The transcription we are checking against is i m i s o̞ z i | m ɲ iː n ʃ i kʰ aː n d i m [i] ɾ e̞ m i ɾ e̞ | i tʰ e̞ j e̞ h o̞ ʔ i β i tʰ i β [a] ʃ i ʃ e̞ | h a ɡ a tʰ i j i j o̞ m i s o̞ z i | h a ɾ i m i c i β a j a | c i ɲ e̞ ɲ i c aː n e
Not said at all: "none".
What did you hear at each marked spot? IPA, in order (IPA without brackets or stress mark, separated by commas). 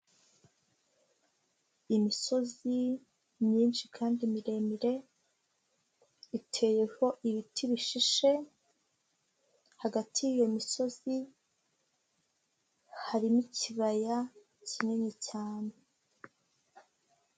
i, i